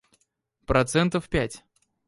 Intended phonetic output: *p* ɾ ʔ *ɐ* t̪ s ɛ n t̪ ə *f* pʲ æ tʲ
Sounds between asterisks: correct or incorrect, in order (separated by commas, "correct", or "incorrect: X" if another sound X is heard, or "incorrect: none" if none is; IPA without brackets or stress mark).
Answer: correct, correct, correct